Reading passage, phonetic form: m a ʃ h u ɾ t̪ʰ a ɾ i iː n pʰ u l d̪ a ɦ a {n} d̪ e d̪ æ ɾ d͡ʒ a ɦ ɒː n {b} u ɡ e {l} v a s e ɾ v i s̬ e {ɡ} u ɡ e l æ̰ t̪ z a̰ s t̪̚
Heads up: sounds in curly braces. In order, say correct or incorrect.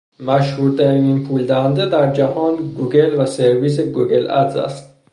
correct, incorrect: ɡ, correct, correct

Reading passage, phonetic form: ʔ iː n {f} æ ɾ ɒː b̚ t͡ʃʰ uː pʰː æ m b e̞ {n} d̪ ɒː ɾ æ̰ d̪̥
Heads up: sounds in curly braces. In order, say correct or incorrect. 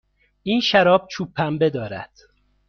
incorrect: ʃ, incorrect: none

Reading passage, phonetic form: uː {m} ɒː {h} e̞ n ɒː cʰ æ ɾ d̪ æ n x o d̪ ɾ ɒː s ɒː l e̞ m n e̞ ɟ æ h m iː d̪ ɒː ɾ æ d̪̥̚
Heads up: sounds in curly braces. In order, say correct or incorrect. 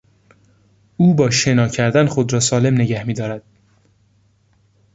incorrect: b, incorrect: ʃ

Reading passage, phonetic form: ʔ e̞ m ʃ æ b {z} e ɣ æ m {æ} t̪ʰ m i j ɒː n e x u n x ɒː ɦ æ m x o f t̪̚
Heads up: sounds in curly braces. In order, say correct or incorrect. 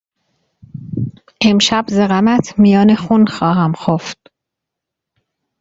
correct, correct

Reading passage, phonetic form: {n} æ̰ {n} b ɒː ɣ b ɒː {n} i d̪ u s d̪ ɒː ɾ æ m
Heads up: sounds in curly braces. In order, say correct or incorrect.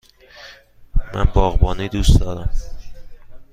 incorrect: m, correct, correct

